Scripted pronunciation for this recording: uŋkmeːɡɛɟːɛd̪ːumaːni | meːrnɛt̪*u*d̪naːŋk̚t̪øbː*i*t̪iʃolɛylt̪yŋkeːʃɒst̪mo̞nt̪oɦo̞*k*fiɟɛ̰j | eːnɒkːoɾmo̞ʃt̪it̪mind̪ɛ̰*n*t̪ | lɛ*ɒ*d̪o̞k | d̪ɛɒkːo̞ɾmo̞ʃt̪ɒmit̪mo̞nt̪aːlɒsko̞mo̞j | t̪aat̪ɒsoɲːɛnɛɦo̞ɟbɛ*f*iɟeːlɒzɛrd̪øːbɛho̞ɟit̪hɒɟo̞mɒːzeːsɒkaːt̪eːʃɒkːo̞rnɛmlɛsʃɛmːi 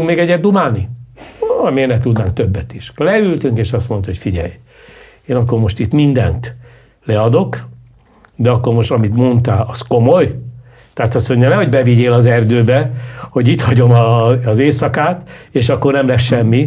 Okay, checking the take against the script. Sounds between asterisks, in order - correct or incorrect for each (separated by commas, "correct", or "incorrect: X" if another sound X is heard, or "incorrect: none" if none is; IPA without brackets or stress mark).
correct, incorrect: ɛ, incorrect: c, correct, correct, incorrect: v